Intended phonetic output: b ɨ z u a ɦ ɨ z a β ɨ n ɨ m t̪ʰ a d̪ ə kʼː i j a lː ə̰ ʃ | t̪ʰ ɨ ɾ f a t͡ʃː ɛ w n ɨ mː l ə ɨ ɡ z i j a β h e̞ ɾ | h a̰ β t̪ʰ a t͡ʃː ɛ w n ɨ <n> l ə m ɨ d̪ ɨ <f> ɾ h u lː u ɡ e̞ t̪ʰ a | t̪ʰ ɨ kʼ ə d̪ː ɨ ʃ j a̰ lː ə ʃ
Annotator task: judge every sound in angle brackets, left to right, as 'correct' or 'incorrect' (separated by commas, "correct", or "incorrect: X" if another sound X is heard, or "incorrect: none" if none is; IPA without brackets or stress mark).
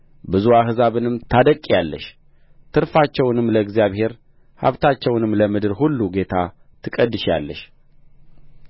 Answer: incorrect: m, incorrect: none